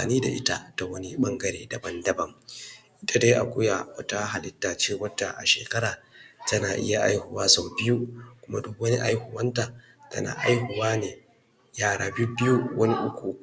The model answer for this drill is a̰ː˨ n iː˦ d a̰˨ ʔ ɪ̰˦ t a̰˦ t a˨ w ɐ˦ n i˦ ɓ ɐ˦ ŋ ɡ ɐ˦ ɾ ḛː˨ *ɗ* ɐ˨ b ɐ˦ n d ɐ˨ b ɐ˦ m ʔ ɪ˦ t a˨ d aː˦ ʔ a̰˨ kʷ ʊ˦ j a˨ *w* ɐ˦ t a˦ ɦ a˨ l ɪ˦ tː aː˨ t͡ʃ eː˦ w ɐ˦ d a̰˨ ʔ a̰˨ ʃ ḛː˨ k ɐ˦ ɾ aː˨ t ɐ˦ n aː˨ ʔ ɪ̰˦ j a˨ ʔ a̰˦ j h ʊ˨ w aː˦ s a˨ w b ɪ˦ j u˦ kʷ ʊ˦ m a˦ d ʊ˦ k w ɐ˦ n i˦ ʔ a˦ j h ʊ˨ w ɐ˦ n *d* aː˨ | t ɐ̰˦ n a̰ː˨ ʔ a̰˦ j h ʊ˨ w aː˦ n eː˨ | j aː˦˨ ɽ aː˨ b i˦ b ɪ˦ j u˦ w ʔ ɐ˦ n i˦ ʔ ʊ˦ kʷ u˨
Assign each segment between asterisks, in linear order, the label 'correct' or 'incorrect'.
incorrect: d, correct, incorrect: t

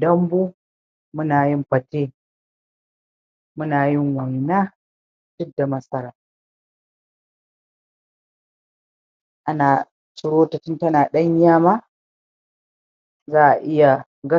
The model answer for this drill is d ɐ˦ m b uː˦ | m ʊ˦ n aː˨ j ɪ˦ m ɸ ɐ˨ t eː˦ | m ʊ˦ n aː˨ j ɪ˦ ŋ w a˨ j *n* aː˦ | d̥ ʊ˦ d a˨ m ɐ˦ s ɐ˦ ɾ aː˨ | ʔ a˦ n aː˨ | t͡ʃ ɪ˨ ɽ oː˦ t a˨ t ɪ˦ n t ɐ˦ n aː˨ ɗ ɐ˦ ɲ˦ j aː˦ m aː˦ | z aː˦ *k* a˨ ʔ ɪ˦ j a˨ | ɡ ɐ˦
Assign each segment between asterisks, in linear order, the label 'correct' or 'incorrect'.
correct, incorrect: ʔ

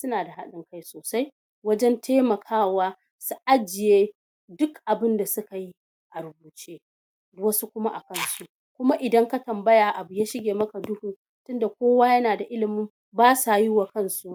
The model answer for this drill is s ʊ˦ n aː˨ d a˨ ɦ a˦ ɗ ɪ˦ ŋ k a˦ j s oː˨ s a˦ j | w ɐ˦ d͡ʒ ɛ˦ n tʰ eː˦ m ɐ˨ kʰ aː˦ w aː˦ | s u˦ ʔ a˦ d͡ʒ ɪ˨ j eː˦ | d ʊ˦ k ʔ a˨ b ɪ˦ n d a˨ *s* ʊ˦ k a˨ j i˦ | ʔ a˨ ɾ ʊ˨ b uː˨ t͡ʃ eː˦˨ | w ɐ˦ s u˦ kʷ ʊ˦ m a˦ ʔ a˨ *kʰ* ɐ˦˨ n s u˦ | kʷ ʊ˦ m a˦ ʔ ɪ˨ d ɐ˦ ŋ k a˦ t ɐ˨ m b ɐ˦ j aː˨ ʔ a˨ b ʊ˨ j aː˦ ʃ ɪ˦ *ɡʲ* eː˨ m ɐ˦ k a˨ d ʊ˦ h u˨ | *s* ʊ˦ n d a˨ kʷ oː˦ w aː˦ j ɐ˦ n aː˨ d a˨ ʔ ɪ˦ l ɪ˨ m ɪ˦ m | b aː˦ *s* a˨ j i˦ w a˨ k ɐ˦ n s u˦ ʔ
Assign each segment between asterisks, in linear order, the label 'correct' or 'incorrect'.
correct, incorrect: k, correct, incorrect: t, correct

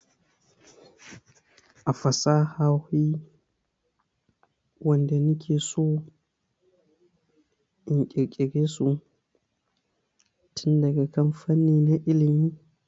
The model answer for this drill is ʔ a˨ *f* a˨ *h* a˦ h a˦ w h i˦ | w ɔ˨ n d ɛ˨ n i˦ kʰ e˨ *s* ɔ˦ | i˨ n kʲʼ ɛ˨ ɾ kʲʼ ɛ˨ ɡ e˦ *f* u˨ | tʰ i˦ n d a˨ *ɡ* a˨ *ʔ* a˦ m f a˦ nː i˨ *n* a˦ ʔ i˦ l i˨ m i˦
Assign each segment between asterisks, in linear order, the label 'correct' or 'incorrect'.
correct, incorrect: s, correct, incorrect: s, correct, incorrect: k, correct

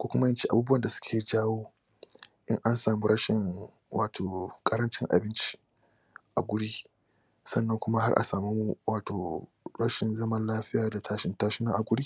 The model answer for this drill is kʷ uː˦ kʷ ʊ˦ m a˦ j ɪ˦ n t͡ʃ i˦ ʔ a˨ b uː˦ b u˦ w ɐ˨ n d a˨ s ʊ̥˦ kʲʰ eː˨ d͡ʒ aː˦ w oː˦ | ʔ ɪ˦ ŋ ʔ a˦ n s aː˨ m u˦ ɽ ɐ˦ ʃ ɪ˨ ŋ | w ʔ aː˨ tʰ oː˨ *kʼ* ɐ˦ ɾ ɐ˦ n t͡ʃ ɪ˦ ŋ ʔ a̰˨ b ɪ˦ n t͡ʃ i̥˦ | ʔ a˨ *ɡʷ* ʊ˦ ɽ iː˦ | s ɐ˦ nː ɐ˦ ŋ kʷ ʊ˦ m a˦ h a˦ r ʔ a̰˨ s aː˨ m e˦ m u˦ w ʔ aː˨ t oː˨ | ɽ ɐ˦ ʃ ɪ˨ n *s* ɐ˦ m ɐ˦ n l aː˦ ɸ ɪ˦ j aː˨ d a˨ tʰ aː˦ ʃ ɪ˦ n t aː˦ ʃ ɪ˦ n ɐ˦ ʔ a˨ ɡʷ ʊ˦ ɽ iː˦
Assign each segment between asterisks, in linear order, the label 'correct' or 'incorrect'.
correct, correct, incorrect: z

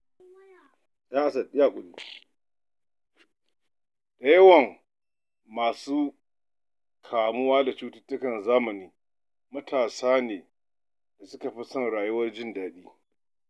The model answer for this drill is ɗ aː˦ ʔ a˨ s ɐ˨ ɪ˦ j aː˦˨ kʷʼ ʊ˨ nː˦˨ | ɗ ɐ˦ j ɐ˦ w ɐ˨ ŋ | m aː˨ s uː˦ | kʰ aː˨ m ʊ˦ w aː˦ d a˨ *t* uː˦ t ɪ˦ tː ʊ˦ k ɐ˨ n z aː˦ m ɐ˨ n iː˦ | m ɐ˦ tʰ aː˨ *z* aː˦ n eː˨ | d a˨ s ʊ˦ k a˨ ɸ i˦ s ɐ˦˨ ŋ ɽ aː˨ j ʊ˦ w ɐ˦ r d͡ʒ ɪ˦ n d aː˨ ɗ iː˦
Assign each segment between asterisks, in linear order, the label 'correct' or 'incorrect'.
incorrect: t͡ʃ, incorrect: s

